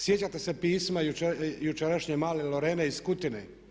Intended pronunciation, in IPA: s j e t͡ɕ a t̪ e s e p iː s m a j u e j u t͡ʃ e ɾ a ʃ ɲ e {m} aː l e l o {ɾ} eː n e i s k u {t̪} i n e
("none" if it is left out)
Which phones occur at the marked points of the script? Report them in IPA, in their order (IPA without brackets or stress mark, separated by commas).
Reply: m, ɾ, t̪